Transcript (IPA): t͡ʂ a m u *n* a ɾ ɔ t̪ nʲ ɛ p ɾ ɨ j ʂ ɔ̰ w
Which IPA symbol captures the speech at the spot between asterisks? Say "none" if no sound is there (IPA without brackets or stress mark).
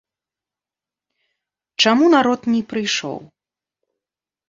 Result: n